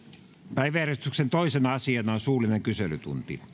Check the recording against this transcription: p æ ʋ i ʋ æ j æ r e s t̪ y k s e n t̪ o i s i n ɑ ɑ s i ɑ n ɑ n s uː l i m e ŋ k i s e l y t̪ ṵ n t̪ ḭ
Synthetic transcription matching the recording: p æ i ʋ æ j æ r e s t̪ y k s e n t̪ o i s e n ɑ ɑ s i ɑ n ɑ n s uː l i n e ŋ k y s e l y t̪ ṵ n t̪ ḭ